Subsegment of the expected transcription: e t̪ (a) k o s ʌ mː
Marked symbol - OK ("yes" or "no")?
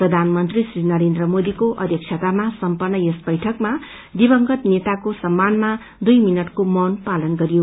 yes